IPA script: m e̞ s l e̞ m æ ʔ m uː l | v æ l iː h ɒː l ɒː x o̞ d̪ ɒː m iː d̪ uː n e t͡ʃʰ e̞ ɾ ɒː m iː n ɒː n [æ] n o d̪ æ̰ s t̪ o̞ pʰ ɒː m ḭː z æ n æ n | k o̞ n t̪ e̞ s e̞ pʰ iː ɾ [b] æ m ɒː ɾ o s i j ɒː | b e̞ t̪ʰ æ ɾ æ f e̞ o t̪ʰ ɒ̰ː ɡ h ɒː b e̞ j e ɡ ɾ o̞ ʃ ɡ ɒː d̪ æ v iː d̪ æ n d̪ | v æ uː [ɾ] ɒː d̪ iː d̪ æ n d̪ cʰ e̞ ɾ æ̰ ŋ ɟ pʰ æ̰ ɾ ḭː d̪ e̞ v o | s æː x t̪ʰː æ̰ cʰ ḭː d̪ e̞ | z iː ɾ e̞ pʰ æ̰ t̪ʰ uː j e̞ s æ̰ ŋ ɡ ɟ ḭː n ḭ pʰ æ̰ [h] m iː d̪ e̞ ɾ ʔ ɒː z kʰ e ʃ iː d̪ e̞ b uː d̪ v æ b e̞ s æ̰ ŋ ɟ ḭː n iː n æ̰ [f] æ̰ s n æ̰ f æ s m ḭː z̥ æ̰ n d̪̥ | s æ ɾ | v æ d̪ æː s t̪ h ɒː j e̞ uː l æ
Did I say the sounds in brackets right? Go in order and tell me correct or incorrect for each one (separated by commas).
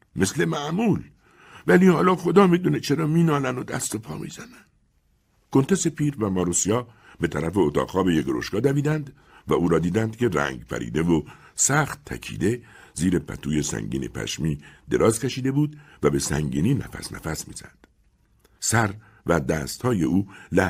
correct, incorrect, correct, incorrect, correct